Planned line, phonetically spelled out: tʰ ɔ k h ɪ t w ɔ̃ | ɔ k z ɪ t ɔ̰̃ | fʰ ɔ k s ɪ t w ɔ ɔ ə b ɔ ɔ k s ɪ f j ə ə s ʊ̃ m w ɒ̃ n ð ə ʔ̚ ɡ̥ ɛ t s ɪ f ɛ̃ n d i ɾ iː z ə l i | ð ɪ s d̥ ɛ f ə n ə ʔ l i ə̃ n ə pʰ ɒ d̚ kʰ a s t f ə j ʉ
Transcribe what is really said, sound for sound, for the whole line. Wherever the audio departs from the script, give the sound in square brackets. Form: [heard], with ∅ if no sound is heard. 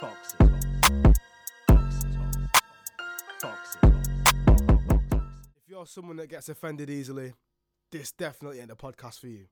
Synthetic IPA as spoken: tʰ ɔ k [s] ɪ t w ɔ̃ | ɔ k [s] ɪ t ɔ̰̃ | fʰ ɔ k s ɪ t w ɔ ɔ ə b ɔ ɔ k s ɪ f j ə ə s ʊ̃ m w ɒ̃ n ð ə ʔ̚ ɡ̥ ɛ t s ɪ f ɛ̃ n d [ɪ] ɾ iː z ə l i | ð ɪ s d̥ ɛ f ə n ə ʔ l i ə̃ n ə pʰ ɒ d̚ kʰ a s t f ə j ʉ